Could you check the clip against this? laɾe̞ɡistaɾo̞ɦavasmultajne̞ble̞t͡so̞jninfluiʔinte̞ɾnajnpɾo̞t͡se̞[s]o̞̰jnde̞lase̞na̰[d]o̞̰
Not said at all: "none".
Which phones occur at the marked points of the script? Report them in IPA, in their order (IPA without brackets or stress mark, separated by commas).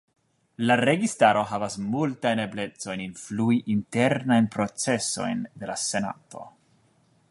s, t